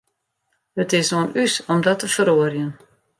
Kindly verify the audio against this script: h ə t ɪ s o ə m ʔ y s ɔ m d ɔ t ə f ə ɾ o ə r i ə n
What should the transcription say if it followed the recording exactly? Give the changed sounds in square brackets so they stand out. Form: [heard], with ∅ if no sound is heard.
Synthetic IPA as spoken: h ə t ɪ s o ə [n] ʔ y s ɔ m d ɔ t ə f ə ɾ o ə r [j] ə n